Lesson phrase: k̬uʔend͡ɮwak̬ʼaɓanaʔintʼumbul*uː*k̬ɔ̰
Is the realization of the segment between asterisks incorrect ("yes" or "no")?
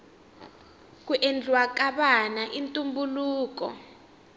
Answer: no